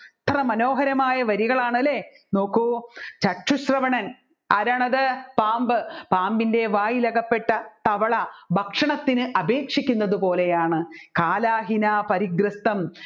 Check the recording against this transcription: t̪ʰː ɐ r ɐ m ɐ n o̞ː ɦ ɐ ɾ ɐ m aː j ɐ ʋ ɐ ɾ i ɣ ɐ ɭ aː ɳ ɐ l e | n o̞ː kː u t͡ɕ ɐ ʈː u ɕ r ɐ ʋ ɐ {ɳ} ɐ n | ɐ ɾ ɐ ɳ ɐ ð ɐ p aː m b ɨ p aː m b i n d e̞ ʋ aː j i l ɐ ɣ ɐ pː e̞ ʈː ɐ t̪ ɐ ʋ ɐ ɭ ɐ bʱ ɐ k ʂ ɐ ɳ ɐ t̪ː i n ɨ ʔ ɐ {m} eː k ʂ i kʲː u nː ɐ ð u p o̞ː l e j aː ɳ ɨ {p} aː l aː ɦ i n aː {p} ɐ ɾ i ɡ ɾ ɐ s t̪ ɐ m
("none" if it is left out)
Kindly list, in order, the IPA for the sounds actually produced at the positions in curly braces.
ɳ, b, k, p

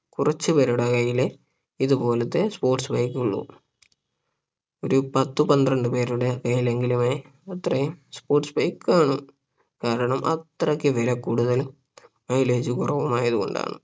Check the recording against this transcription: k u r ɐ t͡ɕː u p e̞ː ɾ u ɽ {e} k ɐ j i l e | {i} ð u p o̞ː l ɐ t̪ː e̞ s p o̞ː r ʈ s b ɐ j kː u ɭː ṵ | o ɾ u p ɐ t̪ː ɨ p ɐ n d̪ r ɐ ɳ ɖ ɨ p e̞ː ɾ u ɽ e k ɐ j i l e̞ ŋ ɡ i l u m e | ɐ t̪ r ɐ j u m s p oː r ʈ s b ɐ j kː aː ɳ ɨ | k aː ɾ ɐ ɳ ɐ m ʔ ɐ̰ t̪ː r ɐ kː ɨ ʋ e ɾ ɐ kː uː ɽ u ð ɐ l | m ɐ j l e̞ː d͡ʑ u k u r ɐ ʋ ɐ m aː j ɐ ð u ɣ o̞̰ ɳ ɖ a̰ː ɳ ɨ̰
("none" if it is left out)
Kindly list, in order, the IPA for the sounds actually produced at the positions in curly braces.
e, i

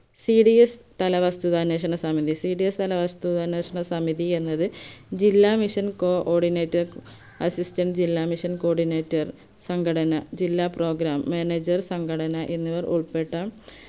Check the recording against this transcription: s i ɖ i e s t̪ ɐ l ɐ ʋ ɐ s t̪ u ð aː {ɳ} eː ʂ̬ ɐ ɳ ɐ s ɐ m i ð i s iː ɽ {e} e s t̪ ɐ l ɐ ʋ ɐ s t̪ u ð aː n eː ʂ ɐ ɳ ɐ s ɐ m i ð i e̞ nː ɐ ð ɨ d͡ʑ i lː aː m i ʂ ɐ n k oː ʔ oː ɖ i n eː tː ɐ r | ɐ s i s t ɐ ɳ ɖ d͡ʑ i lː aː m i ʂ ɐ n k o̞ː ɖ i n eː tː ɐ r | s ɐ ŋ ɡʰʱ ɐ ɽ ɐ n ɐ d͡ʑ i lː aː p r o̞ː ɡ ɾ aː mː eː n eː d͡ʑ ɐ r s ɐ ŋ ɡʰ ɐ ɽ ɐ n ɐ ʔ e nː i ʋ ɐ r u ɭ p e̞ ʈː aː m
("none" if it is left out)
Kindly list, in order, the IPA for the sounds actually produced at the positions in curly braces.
n, i

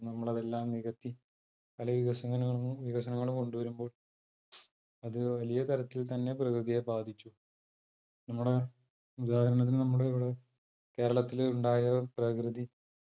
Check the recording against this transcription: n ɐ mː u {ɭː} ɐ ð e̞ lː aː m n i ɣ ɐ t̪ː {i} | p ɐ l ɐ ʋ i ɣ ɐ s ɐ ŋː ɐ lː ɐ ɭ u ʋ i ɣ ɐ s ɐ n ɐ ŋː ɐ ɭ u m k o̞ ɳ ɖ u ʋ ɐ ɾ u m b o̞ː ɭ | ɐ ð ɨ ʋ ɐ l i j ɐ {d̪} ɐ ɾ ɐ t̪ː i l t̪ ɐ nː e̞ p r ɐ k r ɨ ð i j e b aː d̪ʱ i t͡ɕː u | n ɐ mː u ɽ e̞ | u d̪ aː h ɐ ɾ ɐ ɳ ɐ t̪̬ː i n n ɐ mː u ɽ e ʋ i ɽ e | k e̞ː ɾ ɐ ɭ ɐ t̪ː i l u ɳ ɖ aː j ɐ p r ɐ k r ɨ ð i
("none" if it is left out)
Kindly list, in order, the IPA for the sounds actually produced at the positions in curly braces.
ɭ, i, t̪

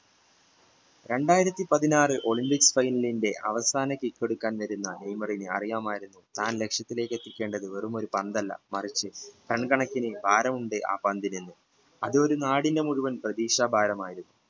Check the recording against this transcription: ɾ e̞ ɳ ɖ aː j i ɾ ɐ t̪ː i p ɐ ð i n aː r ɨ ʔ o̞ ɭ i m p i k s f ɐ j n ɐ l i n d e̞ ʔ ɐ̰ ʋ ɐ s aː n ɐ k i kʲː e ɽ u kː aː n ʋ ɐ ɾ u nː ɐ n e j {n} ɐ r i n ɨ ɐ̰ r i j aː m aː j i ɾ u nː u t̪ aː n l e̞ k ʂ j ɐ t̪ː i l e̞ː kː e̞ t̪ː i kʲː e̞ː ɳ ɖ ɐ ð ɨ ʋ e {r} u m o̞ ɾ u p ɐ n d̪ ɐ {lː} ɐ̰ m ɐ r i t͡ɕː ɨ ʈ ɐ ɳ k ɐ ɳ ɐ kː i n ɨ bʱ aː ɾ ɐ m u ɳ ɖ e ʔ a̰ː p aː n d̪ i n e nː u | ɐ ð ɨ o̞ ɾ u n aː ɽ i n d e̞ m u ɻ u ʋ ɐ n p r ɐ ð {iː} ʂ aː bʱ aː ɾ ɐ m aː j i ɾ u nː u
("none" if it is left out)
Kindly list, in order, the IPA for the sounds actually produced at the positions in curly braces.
m, r, lː, iː

